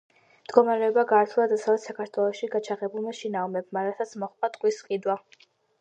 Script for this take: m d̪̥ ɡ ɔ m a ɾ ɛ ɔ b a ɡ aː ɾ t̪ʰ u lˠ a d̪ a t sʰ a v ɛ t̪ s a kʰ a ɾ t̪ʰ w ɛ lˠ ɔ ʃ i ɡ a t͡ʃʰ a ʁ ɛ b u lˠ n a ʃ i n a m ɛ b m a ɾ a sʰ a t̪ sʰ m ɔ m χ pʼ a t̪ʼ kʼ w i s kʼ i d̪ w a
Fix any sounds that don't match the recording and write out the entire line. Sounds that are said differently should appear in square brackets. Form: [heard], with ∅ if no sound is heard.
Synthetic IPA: m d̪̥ ɡ ɔ m a ɾ ɛ ɔ b a ɡ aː ɾ t̪ʰ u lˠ a d̪ a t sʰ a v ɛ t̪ s a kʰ a ɾ t̪ʰ w ɛ lˠ ɔ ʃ i ɡ a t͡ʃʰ a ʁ ɛ b u lˠ [m] a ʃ i n a m ɛ b m a ɾ a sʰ a t̪ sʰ m ɔ [∅] χ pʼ a t̪ʼ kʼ w i s [qʼ] i d̪ w a